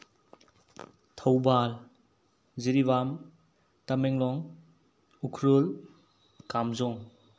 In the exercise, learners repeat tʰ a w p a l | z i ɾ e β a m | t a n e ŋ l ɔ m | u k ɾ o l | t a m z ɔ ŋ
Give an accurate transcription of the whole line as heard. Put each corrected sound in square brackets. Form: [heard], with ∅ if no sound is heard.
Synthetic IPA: tʰ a w [b] a l | z i ɾ [i] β a m | t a [m] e ŋ l ɔ [ŋ] | u [kʰ] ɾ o l | [k] a m z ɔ ŋ